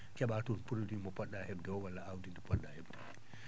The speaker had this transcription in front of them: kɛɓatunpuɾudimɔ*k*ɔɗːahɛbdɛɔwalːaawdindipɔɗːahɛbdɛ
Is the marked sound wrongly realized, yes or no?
yes